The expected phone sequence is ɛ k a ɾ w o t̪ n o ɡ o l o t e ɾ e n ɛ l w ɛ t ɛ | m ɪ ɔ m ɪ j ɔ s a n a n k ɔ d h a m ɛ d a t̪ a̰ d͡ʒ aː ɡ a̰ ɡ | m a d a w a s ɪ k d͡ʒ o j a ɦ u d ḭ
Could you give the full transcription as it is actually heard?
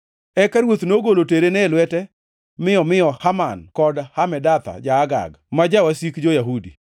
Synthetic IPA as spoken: ɛ k a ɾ w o t̪ n o ɡ o l o t e ɾ e n ɛ l w ɛ t ɛ | m ɪ ɔ m ɪ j ɔ h a m a n k ɔ d h a m ɛ d a t̪ a̰ d͡ʒ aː ɡ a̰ ɡ | m a d͡ʒ a w a s i k d͡ʒ o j a ɦ u d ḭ